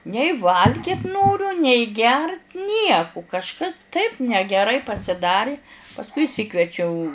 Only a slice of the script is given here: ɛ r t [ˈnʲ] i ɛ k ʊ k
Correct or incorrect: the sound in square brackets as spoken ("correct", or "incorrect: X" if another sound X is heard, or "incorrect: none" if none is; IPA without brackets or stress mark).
correct